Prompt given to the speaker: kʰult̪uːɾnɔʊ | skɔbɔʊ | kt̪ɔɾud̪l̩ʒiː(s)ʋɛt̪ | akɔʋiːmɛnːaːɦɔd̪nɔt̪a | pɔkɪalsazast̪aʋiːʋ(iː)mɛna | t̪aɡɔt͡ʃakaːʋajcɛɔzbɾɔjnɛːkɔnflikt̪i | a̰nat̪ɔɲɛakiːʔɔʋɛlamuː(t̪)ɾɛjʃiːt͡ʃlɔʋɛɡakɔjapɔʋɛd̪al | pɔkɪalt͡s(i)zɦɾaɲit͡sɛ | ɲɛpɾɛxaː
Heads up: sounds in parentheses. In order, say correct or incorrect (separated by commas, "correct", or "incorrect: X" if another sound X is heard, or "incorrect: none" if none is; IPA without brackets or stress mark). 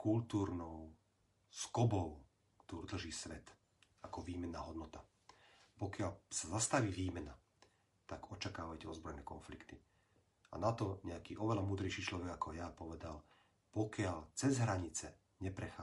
correct, correct, incorrect: d̪, incorrect: ɛ